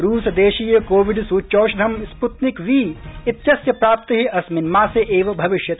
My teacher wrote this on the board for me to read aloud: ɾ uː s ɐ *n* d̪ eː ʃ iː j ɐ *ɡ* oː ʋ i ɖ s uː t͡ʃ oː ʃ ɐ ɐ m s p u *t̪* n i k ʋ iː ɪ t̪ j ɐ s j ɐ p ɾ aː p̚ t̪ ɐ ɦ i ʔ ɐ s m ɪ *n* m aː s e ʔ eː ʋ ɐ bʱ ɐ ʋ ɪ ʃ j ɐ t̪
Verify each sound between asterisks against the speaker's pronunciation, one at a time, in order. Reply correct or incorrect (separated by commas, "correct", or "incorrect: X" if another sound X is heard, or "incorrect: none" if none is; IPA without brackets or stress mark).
incorrect: none, incorrect: k, correct, correct